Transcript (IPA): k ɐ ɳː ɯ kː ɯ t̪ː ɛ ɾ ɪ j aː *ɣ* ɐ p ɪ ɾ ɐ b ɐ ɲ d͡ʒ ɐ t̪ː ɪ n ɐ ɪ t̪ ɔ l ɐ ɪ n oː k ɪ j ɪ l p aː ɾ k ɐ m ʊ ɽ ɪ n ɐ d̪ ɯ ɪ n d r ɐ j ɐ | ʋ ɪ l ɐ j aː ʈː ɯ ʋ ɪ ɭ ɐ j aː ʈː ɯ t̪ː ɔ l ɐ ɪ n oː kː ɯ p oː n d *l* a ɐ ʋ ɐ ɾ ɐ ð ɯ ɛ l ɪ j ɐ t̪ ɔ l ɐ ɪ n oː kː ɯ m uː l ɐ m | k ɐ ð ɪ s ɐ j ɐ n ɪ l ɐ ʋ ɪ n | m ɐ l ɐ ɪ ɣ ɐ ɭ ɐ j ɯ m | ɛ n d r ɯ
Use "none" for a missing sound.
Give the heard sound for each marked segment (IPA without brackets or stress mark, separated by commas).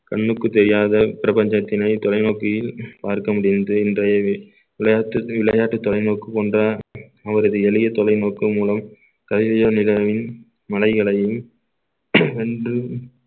ð, r